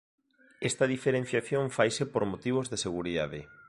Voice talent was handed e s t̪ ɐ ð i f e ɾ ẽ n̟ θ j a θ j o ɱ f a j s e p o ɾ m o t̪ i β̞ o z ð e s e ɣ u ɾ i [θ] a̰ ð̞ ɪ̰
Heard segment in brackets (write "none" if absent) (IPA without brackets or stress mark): ð